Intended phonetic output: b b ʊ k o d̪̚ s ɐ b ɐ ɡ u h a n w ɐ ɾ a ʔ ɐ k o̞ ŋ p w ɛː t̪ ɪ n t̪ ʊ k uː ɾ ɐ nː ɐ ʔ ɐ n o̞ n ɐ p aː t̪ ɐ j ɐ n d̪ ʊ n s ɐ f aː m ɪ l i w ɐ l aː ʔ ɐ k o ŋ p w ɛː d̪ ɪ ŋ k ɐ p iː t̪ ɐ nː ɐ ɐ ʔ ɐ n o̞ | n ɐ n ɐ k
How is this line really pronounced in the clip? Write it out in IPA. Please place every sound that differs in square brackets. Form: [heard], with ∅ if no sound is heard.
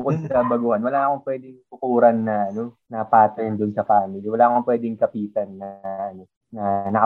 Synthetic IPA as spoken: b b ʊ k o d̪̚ s ɐ b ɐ ɡ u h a n w ɐ [l] a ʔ ɐ k o̞ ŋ p w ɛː [d̪] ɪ [ŋ] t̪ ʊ k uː ɾ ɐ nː ɐ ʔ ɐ n o̞ n ɐ p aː t̪ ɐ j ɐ n d̪ ʊ n s ɐ f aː m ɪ l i w ɐ l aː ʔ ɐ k o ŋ p w ɛː d̪ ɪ ŋ k ɐ p iː t̪ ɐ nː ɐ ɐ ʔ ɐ n o̞ | n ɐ n ɐ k